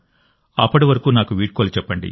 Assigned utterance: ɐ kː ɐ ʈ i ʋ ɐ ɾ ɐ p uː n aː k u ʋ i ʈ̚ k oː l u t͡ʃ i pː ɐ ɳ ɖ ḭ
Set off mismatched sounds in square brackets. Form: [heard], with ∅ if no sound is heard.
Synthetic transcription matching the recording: ɐ [pː] ɐ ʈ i ʋ ɐ ɾ ɐ [k] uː n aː k u ʋ [iː] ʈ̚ k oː l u t͡ʃ [ɛ] pː ɐ ɳ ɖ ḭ